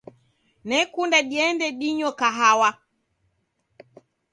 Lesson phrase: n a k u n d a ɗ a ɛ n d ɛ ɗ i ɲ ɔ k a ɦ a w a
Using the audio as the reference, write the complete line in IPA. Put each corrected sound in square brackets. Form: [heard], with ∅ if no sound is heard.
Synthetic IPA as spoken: n [ɛ] k u n d a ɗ [i] ɛ n d ɛ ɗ i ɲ ɔ k a ɦ a w a